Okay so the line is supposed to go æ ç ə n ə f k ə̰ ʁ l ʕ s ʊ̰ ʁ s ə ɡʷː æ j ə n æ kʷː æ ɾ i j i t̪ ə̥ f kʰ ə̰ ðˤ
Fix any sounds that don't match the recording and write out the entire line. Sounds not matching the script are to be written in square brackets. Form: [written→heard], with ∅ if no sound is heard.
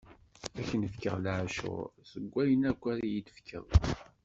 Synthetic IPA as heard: æ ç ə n ə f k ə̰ ʁ l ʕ [s→ʃ] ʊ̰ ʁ s ə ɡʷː æ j ə n æ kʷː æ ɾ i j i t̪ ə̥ f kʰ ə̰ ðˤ